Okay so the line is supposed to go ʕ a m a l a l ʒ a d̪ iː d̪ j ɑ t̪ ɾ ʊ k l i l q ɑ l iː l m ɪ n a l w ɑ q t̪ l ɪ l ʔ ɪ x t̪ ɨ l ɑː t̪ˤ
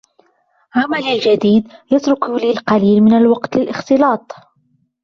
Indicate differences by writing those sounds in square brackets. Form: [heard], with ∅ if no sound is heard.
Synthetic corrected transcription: ʕ a m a l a l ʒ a d̪ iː d̪ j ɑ t̪ ɾ ʊ k l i l q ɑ l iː l m ɪ n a l w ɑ q t̪ l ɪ l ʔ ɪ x t̪ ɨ l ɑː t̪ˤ